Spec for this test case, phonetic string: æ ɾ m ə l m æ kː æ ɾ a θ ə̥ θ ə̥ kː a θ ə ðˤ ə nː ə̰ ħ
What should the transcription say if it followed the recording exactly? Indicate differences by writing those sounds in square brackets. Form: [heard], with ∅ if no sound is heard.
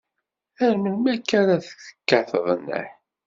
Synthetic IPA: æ ɾ m ə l m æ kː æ ɾ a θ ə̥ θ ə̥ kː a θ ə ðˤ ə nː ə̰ ħ